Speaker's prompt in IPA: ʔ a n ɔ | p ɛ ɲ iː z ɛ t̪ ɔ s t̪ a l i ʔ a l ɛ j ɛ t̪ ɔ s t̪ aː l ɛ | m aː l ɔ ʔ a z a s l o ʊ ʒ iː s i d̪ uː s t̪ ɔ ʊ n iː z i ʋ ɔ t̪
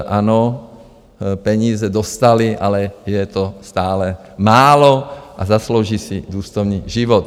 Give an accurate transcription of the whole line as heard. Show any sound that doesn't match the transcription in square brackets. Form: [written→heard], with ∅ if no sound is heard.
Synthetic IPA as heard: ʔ a n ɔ | p ɛ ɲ iː z ɛ [t̪→d̪] ɔ s t̪ a l i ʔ a l ɛ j ɛ t̪ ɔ s t̪ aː l ɛ | m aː l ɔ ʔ a z a s l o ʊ ʒ iː s i d̪ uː s t̪ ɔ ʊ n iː [z→ʒ] i ʋ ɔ t̪